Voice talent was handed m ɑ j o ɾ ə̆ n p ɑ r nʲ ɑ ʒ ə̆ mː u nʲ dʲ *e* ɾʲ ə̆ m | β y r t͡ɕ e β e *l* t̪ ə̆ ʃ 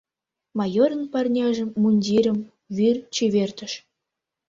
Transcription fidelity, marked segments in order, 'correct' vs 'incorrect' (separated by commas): incorrect, incorrect